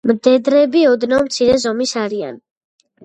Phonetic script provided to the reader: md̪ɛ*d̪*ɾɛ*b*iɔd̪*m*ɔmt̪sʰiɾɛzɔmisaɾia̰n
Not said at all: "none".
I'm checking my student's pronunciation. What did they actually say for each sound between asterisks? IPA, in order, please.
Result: d̪, b, n

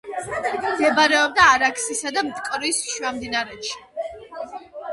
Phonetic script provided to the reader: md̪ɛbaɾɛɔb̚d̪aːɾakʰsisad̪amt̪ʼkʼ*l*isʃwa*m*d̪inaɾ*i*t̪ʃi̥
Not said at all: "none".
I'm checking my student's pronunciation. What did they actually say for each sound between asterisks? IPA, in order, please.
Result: ɾ, m, ɛ

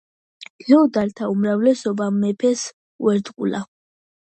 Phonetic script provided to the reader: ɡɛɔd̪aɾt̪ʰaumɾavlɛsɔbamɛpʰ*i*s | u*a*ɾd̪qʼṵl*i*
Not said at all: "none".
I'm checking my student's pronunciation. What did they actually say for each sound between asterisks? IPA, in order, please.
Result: ɛ, ɛ, a

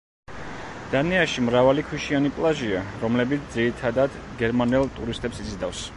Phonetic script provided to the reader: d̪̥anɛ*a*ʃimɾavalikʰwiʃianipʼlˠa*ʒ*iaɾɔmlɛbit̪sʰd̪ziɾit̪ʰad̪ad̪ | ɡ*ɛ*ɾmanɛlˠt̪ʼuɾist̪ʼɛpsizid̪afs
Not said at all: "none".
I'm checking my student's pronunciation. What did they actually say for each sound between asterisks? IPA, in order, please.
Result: a, ʒ, ɛ

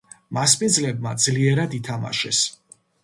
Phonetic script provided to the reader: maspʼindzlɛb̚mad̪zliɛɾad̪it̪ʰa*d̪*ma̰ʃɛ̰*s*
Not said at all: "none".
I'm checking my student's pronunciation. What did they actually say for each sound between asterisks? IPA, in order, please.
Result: none, s

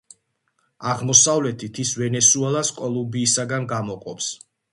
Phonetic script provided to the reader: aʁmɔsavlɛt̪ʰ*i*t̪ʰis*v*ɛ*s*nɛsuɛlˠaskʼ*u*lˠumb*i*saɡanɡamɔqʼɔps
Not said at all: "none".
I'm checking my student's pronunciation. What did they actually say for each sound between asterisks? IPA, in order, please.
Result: i, v, none, ɔ, iː

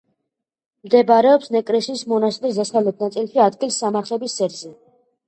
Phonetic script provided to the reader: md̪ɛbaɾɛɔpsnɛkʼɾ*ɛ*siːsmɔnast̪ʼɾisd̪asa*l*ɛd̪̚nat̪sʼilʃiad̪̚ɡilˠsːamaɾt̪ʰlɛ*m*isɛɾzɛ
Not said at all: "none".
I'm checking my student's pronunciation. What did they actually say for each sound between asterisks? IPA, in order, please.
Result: ɛ, l, b

